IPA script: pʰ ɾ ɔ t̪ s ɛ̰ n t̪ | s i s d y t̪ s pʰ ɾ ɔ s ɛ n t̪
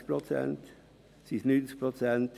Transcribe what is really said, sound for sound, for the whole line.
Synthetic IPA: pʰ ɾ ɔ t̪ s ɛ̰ n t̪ | s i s n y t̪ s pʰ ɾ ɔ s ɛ n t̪

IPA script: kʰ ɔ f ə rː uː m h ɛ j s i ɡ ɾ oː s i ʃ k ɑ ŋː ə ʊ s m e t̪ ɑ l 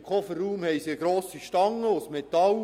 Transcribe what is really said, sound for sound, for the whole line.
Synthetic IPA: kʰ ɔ f ə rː uː m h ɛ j s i ɡ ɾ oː s i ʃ t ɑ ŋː ə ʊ s m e t̪ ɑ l

